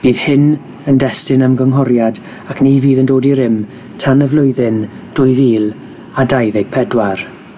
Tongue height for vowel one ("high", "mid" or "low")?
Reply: high